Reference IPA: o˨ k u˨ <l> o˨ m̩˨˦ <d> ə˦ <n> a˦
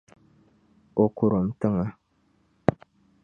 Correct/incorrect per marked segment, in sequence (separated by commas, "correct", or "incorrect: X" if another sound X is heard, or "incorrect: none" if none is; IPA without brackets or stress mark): incorrect: ɾ, incorrect: t, incorrect: ŋ